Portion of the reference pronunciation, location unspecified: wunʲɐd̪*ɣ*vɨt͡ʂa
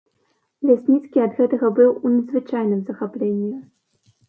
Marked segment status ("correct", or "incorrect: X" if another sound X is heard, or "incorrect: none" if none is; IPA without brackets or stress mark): incorrect: z